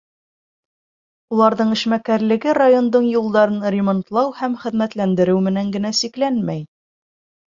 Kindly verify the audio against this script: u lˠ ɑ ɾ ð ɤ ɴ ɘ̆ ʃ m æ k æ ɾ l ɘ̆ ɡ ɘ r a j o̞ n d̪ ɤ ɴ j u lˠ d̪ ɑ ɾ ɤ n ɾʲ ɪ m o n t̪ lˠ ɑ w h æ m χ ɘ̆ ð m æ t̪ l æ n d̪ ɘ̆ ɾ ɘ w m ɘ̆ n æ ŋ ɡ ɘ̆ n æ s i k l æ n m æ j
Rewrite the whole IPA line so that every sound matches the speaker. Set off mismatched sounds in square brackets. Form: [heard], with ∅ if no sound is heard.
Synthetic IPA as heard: u lˠ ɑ ɾ ð ɤ ɴ ɘ̆ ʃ m æ k æ ɾ l ɘ̆ ɡ ɘ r a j o̞ n d̪ ɤ ɴ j u lˠ d̪ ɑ ɾ ɤ n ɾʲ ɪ m o n t̪ lˠ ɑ w h æ m χ ɘ̆ ð m æ t̪ l æ n d̪ ɘ̆ ɾ ɘ w m ɘ̆ n æ ŋ ɡ ɘ̆ n æ s i k l æ n m æ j